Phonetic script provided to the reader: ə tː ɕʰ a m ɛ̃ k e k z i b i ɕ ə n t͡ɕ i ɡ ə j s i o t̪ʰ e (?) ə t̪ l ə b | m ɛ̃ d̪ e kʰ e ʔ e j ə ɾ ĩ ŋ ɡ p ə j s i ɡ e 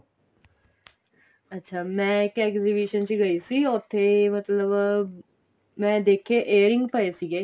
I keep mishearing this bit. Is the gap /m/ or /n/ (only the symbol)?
m